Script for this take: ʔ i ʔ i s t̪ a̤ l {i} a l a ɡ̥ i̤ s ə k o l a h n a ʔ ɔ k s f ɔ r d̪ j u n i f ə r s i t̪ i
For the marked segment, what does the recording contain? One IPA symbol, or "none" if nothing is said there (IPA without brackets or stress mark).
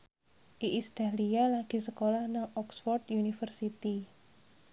i